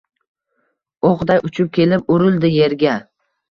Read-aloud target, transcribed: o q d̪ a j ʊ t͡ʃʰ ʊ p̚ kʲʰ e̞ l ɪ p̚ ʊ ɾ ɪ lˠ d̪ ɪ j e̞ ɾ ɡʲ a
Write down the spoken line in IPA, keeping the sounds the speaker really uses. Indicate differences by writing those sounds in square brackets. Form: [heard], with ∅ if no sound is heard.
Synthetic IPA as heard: o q d̪ a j ʊ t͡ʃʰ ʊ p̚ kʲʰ e̞ l ɪ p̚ ʊ ɾ ɪ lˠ d̪ ɪ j e̞ ɾ ɡʲ a